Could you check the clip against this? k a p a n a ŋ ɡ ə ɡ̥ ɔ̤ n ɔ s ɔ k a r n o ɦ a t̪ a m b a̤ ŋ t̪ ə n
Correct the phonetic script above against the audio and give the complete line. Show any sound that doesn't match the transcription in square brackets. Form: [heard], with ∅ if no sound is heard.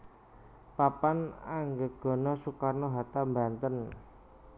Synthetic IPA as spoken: [p] a p a n a ŋ ɡ ə ɡ̥ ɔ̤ n ɔ s [u] k a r n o ɦ a t̪ a m b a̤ [n] t̪ ə n